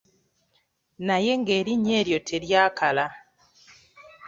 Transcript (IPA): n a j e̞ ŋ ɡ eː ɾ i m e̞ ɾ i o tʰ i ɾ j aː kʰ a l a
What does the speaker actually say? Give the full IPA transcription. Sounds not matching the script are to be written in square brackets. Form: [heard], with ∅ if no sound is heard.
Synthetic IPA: n a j e̞ ŋ ɡ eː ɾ i [ɲ] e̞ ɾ [j] o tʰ [e] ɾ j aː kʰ a l a